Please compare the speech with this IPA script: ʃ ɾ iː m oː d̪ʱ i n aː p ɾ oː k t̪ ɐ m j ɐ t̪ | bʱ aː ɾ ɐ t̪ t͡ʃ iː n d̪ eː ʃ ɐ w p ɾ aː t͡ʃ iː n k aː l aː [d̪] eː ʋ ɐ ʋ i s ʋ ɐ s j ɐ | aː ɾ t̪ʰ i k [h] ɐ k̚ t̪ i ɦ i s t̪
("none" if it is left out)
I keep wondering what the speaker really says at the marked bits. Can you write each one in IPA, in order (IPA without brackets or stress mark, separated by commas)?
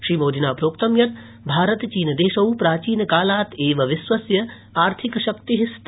t̪, ʃ